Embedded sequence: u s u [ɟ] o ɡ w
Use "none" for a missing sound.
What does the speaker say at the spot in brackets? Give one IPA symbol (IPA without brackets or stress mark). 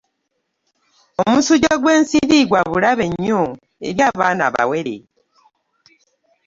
ɟ